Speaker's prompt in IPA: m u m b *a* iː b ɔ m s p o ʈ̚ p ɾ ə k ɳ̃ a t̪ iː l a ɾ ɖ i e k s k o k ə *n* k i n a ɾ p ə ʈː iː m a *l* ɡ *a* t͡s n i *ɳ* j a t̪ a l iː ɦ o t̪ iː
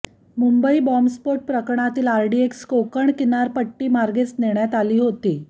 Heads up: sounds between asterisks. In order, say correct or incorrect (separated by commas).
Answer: incorrect, incorrect, incorrect, incorrect, correct